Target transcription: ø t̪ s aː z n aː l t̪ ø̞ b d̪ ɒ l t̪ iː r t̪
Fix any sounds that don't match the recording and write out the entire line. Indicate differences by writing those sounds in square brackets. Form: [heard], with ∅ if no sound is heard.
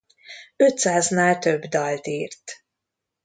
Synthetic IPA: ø t̪ s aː z n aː l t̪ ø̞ b d̪ ɒ l t̪ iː r t̪